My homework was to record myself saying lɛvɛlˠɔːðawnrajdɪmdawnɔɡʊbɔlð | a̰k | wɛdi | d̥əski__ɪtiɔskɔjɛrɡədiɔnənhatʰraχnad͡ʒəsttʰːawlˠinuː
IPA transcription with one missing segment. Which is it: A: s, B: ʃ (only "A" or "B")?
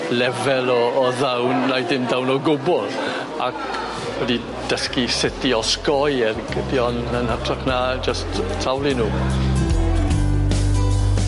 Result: A